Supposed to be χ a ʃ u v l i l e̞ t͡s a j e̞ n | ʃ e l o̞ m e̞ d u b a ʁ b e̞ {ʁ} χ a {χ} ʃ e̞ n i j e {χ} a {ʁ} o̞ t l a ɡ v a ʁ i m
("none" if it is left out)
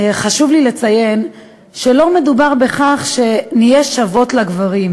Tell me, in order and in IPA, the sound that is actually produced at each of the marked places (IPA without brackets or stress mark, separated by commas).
none, χ, ʃ, v